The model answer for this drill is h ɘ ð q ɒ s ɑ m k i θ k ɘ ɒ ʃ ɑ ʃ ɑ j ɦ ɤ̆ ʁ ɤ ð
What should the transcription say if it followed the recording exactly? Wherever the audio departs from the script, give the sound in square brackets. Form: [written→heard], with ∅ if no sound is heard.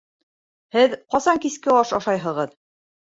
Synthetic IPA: h ɘ ð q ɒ s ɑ [m→ŋ] k i [θ→s] k ɘ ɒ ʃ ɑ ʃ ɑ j ɦ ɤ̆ ʁ ɤ ð